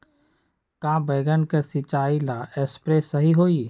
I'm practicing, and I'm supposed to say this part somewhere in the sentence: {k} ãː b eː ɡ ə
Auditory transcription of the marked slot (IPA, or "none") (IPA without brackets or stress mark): k